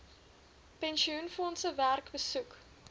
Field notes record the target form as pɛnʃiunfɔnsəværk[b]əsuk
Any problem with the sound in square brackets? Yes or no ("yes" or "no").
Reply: no